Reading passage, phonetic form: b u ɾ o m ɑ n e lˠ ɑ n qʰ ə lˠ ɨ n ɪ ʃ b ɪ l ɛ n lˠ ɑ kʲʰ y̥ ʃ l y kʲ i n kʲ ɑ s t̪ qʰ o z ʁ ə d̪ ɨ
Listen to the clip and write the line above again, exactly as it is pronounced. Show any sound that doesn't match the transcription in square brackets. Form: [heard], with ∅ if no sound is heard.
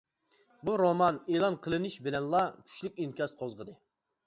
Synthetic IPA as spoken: b u ɾ o m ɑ n e lˠ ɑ n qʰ ə lˠ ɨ n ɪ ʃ b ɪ l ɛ n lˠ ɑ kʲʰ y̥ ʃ l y kʲ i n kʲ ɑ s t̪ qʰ o z ʁ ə d̪ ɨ